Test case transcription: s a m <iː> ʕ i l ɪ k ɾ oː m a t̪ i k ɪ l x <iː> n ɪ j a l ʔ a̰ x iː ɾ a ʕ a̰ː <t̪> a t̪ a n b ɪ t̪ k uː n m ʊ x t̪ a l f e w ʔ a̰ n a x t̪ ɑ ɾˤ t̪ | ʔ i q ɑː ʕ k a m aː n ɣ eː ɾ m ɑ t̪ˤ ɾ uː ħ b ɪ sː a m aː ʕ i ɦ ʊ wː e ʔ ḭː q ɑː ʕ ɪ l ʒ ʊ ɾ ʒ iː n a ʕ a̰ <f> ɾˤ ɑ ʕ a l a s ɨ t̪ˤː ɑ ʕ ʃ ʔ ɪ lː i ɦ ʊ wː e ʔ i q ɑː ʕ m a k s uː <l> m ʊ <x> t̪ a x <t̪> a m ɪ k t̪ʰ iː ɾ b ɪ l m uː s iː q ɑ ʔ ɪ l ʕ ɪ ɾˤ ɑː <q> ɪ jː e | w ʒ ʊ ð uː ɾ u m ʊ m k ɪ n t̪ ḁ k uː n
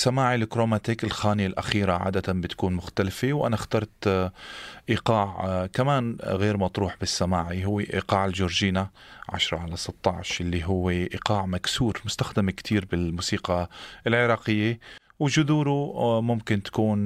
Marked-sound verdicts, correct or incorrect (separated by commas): incorrect, incorrect, incorrect, incorrect, incorrect, incorrect, incorrect, correct